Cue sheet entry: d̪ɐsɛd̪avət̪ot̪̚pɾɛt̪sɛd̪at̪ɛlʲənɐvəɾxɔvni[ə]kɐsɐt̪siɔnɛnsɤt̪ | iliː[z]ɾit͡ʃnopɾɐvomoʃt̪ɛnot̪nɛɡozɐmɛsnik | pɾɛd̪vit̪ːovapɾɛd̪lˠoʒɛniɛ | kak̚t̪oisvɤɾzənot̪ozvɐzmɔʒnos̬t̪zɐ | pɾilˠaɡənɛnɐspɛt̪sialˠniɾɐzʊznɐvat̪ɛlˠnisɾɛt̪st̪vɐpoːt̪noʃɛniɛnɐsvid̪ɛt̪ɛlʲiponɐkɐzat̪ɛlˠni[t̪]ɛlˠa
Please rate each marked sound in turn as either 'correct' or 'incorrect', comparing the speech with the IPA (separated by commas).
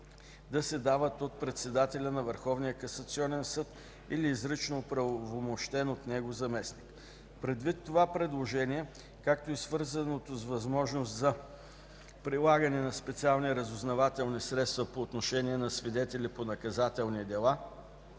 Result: correct, correct, incorrect